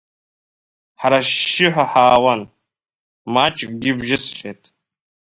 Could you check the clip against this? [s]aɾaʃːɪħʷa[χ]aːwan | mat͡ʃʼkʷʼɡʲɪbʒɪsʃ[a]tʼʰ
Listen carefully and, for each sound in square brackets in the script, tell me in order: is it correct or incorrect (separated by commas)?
incorrect, incorrect, incorrect